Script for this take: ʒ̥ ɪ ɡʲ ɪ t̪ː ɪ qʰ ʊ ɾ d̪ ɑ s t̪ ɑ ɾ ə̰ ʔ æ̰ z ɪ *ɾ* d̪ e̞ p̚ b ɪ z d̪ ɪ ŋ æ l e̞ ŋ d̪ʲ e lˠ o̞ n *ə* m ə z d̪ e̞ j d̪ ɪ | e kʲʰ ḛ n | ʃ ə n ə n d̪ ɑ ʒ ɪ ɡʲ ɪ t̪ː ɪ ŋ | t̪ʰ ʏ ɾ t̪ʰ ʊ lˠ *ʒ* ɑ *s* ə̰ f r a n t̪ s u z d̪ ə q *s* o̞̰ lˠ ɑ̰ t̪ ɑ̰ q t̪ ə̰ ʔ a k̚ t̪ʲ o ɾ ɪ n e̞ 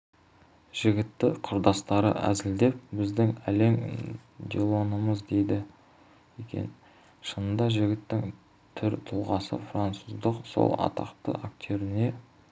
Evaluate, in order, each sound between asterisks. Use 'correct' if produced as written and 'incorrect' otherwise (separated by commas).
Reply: incorrect, correct, incorrect, correct, correct